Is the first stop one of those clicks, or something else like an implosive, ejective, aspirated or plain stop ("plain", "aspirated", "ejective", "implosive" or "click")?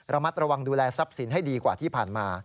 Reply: plain